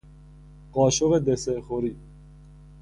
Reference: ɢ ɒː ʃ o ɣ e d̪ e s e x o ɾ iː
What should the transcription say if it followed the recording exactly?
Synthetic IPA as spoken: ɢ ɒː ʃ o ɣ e d̪ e s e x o ɾ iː